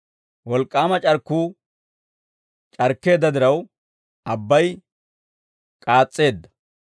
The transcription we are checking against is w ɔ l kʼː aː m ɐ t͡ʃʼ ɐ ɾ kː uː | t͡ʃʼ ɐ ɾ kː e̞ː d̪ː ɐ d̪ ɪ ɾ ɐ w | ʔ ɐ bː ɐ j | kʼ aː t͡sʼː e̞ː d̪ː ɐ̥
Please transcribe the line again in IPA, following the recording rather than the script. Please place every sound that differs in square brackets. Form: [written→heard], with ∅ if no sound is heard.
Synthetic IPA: w ɔ l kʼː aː m ɐ t͡ʃʼ ɐ ɾ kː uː | t͡ʃʼ ɐ ɾ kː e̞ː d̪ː ɐ d̪ ɪ ɾ ɐ w | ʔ ɐ bː ɐ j | kʼ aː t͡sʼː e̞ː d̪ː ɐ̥